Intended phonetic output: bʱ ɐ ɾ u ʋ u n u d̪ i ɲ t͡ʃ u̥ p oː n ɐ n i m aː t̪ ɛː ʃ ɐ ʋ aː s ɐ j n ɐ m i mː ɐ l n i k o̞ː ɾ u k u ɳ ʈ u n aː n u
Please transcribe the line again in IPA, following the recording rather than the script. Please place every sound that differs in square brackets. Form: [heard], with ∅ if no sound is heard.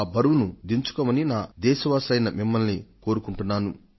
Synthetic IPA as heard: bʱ ɐ ɾ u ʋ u n u d̪ i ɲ t͡ʃ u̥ [k] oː [m] ɐ n i [n] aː [d̪] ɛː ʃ ɐ ʋ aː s ɐ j n ɐ m i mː ɐ l n i k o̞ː ɾ u k u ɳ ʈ u [nː] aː n u